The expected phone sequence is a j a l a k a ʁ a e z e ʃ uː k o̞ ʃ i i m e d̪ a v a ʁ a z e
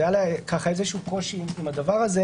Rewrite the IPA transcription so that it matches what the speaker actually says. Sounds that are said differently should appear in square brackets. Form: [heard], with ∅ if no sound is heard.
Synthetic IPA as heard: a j a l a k a [χ] a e z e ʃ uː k o̞ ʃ i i m [a] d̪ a v a ʁ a z e